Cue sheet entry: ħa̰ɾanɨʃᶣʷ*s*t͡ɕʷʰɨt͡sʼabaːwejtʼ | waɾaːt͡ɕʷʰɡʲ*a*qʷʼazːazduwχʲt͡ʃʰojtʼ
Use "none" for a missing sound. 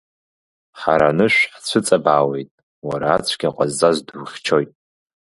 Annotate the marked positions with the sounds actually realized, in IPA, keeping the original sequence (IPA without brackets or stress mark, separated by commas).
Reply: ħ, a